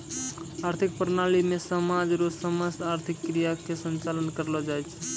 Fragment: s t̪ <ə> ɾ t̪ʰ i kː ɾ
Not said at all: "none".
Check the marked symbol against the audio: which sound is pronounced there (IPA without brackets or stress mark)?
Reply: a